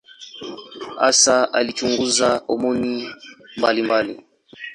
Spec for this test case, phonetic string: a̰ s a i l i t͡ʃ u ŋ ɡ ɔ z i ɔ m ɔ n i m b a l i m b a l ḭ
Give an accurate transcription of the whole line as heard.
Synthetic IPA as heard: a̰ s a a l i t͡ʃ u ŋ ɡ u z a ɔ m ɔ n i m b a l i m b a l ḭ